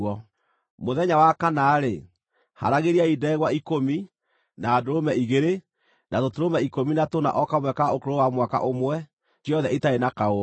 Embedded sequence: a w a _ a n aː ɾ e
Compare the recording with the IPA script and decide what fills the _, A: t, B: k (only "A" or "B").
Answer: B